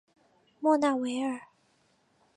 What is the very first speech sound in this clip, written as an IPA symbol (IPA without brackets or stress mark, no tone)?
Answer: m